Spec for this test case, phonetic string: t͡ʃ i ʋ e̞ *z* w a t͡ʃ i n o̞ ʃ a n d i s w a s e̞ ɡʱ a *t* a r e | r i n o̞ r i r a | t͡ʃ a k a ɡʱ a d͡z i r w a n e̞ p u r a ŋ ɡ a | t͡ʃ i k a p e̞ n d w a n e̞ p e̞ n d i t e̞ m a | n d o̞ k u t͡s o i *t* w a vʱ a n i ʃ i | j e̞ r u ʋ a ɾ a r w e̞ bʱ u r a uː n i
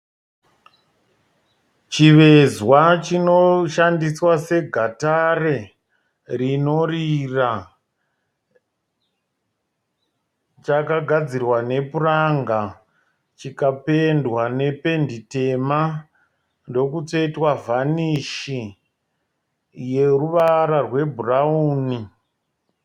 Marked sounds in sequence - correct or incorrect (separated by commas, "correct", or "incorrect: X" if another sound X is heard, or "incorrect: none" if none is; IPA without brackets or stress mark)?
correct, correct, correct